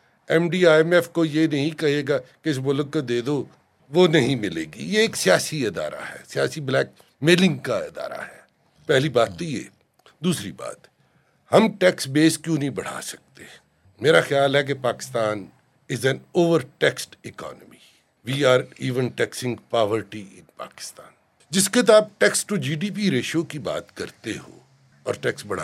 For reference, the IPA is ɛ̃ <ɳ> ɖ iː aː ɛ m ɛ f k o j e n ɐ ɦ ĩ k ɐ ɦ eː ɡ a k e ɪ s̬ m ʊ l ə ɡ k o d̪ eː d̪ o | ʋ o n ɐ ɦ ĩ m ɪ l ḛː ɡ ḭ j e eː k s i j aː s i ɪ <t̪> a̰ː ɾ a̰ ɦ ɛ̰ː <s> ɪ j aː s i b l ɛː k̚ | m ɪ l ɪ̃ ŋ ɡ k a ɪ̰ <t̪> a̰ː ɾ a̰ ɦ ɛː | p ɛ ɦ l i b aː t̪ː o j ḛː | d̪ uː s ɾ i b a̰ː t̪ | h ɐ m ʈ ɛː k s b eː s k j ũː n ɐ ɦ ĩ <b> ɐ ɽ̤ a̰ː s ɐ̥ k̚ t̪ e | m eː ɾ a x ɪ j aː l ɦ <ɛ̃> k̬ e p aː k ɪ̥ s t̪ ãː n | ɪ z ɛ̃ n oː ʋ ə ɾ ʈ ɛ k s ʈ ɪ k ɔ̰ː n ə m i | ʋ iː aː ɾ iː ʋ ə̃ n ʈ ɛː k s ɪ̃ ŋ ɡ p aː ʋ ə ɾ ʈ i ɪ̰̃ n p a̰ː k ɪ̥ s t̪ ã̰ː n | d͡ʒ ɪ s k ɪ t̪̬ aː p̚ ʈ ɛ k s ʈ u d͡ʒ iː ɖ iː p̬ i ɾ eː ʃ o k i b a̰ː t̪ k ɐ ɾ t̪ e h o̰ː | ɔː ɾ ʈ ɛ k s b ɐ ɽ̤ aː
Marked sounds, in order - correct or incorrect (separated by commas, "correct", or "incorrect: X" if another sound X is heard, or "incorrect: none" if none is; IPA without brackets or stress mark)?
incorrect: m, incorrect: d̪, correct, incorrect: d̪, correct, incorrect: ɛ